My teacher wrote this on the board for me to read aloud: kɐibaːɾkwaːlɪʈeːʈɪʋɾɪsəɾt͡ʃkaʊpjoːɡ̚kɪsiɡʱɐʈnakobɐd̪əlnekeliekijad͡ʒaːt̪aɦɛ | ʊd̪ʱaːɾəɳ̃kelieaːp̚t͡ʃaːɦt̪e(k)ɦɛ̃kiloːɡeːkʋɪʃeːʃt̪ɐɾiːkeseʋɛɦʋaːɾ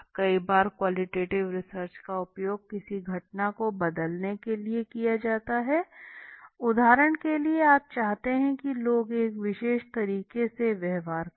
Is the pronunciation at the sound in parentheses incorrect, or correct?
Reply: incorrect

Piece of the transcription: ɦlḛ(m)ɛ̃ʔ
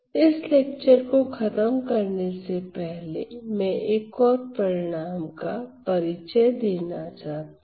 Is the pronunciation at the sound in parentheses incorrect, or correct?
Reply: correct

